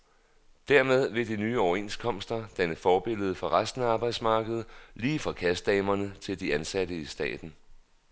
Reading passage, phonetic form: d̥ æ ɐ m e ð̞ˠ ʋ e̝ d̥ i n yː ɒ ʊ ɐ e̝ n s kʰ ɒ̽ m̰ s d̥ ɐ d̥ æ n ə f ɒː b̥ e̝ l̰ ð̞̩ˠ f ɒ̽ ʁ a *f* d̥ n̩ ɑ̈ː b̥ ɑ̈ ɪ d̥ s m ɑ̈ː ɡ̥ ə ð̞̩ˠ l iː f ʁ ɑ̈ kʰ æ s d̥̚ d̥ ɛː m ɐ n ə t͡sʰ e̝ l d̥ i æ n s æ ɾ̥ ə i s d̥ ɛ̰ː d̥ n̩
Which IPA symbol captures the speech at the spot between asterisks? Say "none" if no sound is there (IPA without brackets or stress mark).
s